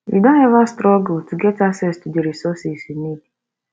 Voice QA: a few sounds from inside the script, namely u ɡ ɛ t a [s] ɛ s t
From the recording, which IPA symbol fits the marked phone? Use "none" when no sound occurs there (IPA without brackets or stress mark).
s